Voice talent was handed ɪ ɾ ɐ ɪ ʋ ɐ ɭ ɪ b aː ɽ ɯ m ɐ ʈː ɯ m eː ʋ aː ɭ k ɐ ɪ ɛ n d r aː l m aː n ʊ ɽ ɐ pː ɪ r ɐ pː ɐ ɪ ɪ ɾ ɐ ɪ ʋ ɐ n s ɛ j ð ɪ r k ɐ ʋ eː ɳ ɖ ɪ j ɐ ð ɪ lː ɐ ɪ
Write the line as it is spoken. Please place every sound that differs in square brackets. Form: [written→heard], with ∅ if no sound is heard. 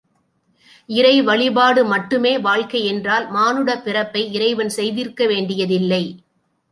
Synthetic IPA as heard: ɪ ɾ ɐ ɪ ʋ ɐ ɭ ɪ b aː ɽ ɯ m ɐ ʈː ɯ m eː ʋ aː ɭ k ɐ ɪ ɛ n d r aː l m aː n [ʊ→ɯ] ɽ ɐ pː ɪ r ɐ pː ɐ ɪ ɪ ɾ ɐ ɪ ʋ ɐ n s ɛ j ð ɪ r k ɐ ʋ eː ɳ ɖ ɪ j ɐ ð ɪ lː ɐ ɪ

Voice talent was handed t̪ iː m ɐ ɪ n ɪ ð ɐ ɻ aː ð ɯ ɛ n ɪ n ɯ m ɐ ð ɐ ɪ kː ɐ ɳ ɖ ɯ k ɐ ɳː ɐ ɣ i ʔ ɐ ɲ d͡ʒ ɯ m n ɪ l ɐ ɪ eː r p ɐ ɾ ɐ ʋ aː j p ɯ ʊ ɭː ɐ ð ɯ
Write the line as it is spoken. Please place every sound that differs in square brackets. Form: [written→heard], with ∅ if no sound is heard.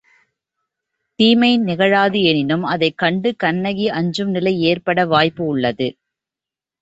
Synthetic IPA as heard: t̪ iː m ɐ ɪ n ɪ [ð→ɣ] ɐ ɻ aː ð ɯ ɛ n ɪ n ɯ m ɐ ð ɐ ɪ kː ɐ ɳ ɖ ɯ k ɐ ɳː ɐ ɣ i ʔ ɐ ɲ d͡ʒ ɯ m n ɪ l ɐ ɪ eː r p ɐ [ɾ→ɽ] ɐ ʋ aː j p ɯ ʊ ɭː ɐ ð ɯ

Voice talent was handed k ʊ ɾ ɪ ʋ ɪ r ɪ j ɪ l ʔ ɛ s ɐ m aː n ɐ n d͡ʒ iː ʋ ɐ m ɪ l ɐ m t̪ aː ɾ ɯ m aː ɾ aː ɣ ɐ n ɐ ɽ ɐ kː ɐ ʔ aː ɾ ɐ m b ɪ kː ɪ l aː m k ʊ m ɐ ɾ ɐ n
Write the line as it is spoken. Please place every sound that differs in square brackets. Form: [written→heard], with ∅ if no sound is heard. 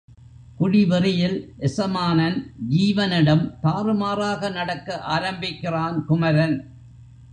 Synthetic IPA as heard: k ʊ [ɾ→ɽ] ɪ ʋ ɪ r ɪ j ɪ l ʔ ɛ s ɐ m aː n ɐ n d͡ʒ iː ʋ ɐ [m→n] ɪ [l→ɽ] ɐ m t̪ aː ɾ ɯ m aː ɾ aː ɣ ɐ n ɐ ɽ ɐ kː ɐ ʔ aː ɾ ɐ m b ɪ kː ɪ [l→r] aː [m→n] k ʊ m ɐ ɾ ɐ n

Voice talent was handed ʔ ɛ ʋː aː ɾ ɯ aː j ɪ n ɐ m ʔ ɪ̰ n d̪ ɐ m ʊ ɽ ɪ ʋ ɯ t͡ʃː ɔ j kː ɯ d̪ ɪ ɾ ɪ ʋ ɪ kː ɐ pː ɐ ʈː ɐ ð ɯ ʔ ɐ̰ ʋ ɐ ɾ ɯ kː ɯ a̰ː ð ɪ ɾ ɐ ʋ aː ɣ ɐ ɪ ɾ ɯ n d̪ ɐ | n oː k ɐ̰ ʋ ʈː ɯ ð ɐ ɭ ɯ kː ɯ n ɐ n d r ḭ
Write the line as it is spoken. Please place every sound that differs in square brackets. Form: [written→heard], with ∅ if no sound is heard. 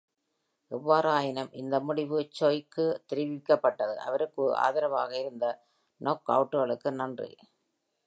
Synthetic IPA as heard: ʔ ɛ ʋː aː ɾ ɯ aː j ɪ n ɐ m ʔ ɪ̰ n d̪ ɐ m ʊ ɽ ɪ ʋ ɯ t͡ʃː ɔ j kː ɯ [d̪→t̪] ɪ ɾ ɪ ʋ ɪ kː ɐ pː ɐ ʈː ɐ ð ɯ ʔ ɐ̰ ʋ ɐ ɾ ɯ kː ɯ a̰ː ð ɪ ɾ ɐ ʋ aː ɣ ɐ ɪ ɾ ɯ n d̪ ɐ | n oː k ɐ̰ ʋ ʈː ɯ [ð→ɣ] ɐ ɭ ɯ kː ɯ n ɐ n d r ḭ

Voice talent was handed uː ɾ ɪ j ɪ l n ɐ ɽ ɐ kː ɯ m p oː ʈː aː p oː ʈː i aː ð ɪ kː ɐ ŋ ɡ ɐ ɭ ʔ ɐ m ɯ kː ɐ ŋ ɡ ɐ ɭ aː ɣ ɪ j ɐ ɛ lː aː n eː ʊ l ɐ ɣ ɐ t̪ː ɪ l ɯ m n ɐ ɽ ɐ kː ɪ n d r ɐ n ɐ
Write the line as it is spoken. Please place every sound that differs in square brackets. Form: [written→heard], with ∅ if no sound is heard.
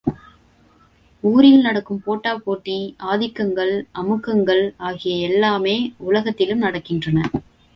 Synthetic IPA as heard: uː ɾ ɪ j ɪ l n ɐ ɽ ɐ kː ɯ m p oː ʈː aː p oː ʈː i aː ð ɪ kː ɐ ŋ ɡ ɐ ɭ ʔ ɐ m ɯ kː ɐ ŋ ɡ ɐ ɭ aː ɣ ɪ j ɐ ɛ lː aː [n→m] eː ʊ l ɐ ɣ ɐ t̪ː ɪ l ɯ m n ɐ ɽ ɐ kː ɪ n d r ɐ n ɐ

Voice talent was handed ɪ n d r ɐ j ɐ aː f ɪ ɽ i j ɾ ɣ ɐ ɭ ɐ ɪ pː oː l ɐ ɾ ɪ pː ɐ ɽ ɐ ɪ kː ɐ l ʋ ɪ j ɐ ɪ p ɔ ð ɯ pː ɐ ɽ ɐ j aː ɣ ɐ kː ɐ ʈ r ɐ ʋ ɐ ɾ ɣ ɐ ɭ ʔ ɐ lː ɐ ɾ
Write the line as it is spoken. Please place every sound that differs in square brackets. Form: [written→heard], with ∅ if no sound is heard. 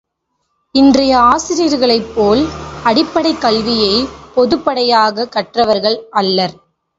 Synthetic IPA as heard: ɪ n d r ɐ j ɐ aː [f→s] ɪ [ɽ→ɾ] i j ɾ ɣ ɐ ɭ ɐ ɪ pː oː l ɐ [ɾ→ɽ] ɪ pː ɐ ɽ ɐ ɪ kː ɐ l ʋ ɪ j ɐ ɪ p ɔ ð ɯ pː ɐ ɽ ɐ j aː ɣ ɐ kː ɐ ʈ r ɐ ʋ ɐ ɾ ɣ ɐ ɭ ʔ ɐ lː ɐ ɾ

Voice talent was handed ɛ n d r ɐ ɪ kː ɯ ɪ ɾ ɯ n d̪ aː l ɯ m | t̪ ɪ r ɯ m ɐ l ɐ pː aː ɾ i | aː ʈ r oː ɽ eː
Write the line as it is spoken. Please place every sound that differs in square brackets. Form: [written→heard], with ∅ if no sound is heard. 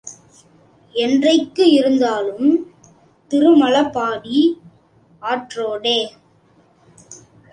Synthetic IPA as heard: ɛ n d r ɐ ɪ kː ɯ ɪ ɾ ɯ n d̪ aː l ɯ m | t̪ ɪ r ɯ m ɐ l ɐ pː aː [ɾ→ɽ] i | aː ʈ r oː ɽ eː

